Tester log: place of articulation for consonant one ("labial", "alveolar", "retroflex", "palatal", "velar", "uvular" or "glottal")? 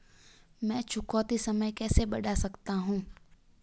labial